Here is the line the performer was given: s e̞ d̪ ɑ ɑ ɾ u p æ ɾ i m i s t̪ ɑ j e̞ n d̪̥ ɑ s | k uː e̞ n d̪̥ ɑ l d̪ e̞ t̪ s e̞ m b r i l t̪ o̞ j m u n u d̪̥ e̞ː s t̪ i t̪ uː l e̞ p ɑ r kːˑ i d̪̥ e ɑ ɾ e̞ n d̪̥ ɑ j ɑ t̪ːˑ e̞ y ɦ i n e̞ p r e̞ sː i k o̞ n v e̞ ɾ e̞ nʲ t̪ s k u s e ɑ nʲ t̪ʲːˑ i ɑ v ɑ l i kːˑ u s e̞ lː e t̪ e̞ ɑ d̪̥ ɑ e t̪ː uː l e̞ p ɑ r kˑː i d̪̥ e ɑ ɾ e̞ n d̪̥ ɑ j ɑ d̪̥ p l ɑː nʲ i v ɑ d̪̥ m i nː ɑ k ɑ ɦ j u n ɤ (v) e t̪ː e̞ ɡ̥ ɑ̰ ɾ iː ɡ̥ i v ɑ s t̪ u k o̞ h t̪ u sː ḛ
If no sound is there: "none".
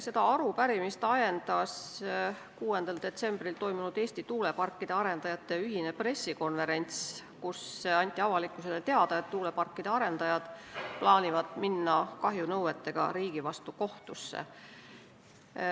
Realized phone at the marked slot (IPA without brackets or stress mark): w